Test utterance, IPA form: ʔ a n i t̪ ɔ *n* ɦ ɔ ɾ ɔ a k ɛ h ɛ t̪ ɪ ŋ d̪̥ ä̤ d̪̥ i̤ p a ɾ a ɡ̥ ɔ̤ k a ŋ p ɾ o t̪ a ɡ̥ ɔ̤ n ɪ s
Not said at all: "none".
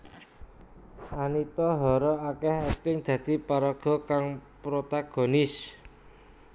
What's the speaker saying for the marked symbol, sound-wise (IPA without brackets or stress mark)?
none